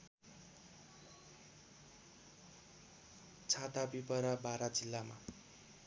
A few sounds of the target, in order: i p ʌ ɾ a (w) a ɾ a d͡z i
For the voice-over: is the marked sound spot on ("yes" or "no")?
no